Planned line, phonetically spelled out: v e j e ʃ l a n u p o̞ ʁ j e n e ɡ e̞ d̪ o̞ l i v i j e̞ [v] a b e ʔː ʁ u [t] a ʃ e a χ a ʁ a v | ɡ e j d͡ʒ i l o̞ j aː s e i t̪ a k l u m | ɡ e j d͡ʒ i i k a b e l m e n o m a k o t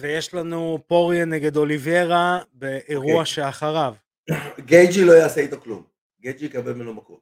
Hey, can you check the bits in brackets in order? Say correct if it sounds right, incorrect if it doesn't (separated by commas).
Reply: incorrect, incorrect